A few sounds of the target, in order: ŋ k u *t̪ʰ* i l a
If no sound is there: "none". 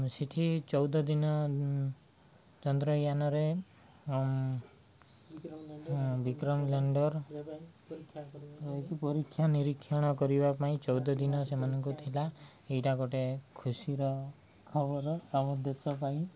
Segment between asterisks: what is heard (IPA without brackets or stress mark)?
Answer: t̪ʰ